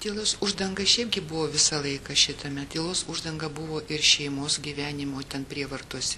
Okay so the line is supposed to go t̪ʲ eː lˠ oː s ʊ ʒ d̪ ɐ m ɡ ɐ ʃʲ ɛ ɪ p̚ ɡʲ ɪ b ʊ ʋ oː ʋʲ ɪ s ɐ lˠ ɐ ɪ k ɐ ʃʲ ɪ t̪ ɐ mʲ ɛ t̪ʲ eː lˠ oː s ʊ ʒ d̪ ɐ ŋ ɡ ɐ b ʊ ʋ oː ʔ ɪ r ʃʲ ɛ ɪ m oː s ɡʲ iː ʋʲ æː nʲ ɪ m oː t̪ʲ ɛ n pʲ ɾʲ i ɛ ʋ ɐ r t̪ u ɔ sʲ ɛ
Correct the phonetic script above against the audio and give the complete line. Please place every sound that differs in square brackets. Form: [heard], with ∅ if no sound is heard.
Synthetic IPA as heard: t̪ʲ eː lˠ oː s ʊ ʒ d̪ ɐ [ŋ] ɡ ɐ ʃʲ ɛ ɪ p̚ ɡʲ ɪ b ʊ ʋ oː ʋʲ ɪ s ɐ lˠ ɐ ɪ k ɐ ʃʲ ɪ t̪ ɐ mʲ ɛ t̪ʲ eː lˠ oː s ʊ ʒ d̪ ɐ ŋ ɡ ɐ b ʊ ʋ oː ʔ ɪ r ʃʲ ɛ ɪ m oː s ɡʲ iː ʋʲ æː nʲ ɪ m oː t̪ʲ ɛ n pʲ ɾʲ i ɛ ʋ ɐ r t̪ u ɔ sʲ ɛ